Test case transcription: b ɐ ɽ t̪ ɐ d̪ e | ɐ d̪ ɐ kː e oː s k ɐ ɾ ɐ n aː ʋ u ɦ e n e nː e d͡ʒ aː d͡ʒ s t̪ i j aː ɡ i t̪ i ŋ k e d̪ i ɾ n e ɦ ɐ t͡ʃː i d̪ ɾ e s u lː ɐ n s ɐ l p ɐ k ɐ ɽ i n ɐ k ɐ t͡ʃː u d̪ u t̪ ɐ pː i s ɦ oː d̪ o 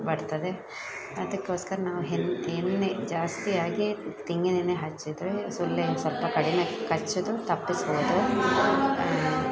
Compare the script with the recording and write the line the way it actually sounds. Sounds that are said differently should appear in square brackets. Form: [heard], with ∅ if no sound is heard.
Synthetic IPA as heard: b ɐ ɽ t̪ ɐ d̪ e | ɐ d̪ ɐ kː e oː s k ɐ ɾ ɐ n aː ʋ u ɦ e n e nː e d͡ʒ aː [∅] s t̪ i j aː ɡ i t̪ i ŋ [ɡ] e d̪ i [∅] n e ɦ ɐ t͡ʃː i d̪ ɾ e s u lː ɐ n s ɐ l p ɐ k ɐ ɽ i n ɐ k ɐ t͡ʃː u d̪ u t̪ ɐ pː i s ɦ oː d̪ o